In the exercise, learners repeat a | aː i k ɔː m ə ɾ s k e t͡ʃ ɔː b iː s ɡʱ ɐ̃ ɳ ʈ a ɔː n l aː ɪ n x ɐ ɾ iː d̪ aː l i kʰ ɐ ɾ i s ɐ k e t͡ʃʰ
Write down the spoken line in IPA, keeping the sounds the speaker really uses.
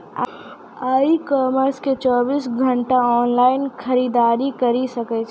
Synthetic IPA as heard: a | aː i k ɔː m ə ɾ s k e t͡ʃ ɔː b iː s ɡʱ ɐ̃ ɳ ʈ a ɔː n l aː ɪ n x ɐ ɾ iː d̪ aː ɾ i k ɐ ɾ i s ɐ k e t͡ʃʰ